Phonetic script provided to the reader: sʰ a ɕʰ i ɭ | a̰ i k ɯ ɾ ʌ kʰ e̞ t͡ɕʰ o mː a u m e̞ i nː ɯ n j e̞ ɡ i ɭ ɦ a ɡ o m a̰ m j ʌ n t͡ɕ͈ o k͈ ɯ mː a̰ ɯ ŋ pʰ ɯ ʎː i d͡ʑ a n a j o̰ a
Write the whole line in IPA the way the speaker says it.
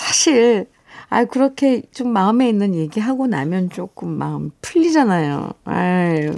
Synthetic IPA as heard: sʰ a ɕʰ i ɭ | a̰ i k ɯ ɾ ʌ kʰ e̞ t͡ɕ o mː a ɯ m e̞ i nː ɯ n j e̞ ɡ i ɦ a ɡ o n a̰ m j ʌ n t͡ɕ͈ o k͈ ɯ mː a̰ ɯ m pʰ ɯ ʎː i d͡ʑ a n a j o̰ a